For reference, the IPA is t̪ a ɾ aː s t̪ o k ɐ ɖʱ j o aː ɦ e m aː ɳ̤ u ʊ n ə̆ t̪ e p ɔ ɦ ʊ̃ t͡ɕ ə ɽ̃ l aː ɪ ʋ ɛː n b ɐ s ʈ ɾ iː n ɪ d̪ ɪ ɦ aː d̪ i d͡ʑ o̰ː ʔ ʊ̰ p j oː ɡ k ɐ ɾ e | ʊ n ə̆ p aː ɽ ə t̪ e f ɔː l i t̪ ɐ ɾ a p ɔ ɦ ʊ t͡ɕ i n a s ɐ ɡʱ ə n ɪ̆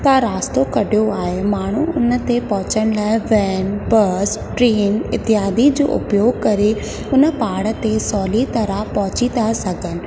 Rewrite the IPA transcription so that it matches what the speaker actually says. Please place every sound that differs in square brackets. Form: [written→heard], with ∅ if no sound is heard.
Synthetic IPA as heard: t̪ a ɾ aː s t̪ o k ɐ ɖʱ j o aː ɦ e m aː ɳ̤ u ʊ n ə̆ t̪ e p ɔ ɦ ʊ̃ t͡ɕ ə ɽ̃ l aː ɪ ʋ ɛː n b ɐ s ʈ ɾ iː n ɪ [d̪→t̪] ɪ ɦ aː d̪ i d͡ʑ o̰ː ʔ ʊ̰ p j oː ɡ k ɐ ɾ e | ʊ n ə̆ p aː ɽ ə t̪ e [f→s] ɔː l i t̪ ɐ ɾ a p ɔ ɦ ʊ t͡ɕ i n a s ɐ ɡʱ ə n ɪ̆